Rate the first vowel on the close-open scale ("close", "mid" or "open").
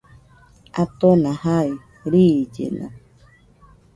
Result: open